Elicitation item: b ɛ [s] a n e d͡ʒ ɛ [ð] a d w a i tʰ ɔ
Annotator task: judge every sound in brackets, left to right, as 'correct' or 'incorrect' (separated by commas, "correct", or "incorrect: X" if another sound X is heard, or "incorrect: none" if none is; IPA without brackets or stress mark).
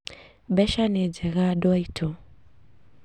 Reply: incorrect: ʃ, incorrect: ɣ